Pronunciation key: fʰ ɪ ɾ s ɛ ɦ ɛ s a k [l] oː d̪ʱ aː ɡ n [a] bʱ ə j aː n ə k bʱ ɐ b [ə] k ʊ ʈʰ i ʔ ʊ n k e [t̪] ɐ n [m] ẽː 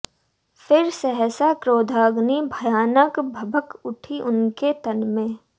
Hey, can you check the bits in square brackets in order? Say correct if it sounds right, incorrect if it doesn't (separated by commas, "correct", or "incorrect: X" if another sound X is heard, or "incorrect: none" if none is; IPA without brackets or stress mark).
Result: incorrect: ɾ, incorrect: i, correct, correct, correct